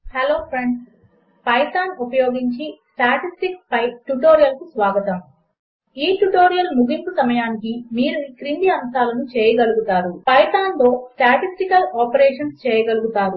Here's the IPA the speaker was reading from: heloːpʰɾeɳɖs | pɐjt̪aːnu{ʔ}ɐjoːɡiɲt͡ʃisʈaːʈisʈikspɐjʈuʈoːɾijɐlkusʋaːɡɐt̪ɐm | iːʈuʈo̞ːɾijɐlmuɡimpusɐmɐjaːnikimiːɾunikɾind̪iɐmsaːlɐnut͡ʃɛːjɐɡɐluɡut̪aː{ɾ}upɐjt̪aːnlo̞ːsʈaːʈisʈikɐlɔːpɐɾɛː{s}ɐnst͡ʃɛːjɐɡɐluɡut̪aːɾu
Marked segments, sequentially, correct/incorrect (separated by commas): incorrect, correct, incorrect